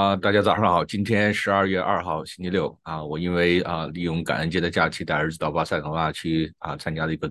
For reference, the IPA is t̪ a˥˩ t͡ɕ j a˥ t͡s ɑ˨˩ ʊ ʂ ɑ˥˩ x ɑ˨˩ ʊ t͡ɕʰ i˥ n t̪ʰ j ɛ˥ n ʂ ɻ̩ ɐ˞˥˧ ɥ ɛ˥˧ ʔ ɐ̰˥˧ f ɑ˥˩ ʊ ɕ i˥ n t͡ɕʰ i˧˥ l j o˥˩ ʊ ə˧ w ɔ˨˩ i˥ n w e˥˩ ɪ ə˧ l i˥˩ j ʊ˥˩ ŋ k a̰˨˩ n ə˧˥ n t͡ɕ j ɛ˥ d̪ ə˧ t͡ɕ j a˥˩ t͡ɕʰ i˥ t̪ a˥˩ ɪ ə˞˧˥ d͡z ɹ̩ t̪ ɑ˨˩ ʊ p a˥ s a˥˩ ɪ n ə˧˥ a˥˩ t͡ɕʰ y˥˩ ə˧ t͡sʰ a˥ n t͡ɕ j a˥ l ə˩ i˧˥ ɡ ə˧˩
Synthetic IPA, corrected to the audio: t̪ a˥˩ t͡ɕ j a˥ t͡s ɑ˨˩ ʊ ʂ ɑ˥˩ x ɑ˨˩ ʊ t͡ɕ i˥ n t̪ʰ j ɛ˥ n ʂ ɻ̩ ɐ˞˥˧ ɥ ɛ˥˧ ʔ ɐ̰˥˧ x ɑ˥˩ ʊ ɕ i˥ n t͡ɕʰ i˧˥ l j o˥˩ ʊ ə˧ w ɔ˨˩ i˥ n w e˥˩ ɪ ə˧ l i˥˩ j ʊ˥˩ ŋ k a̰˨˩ n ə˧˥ n t͡ɕ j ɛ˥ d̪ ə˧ t͡ɕ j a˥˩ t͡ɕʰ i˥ t̪ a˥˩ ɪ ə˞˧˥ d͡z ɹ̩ t̪ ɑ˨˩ ʊ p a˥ s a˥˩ ɪ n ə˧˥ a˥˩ t͡ɕʰ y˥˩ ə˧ t͡sʰ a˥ n t͡ɕ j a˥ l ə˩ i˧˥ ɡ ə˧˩